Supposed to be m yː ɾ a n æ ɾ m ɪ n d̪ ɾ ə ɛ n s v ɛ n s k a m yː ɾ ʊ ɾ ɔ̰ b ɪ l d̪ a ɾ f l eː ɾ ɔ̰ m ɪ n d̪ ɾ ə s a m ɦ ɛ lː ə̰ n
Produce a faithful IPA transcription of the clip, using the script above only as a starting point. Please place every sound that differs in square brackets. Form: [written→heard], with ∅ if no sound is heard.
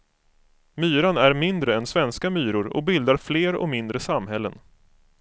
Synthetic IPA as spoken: m yː ɾ a n æ ɾ m ɪ n d̪ ɾ ə ɛ n s v ɛ n s k a m yː ɾ ʊ ɾ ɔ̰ b ɪ l d̪ a ɾ f l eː ɾ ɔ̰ m ɪ n d̪ ɾ ə s a m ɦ ɛ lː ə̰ n